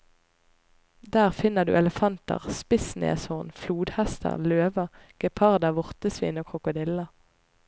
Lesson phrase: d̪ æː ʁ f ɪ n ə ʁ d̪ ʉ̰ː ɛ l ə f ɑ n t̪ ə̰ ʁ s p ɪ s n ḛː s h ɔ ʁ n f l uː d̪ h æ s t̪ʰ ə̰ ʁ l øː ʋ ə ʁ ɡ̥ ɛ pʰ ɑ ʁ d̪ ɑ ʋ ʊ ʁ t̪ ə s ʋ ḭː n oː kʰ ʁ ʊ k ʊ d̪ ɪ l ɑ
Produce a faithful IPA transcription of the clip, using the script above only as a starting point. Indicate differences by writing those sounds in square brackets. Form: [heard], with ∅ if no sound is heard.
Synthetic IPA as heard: d̪ æː ʁ f ɪ n ə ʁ d̪ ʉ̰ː ɛ l ə f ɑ n t̪ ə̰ ʁ s p ɪ s n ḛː s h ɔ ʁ n f l uː d̪ h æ s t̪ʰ ə̰ ʁ l øː ʋ ə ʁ ɡ̥ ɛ pʰ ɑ ʁ d̪ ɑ ʋ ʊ ʁ t̪ ə s ʋ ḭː n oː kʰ ʁ ʊ k ʊ d̪ ɪ l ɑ